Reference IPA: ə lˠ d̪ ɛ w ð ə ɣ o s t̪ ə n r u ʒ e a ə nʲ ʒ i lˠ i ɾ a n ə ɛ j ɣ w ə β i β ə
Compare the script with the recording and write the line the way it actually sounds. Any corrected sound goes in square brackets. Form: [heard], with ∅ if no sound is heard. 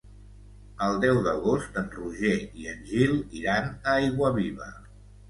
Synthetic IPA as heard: ə lˠ d̪ ɛ w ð ə ɣ o s t̪ ə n r u ʒ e [i] ə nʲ ʒ i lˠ i ɾ a n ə [a] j ɣ w ə β i β ə